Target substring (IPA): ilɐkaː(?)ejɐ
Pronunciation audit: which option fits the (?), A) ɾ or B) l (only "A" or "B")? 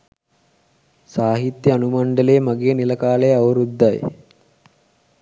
B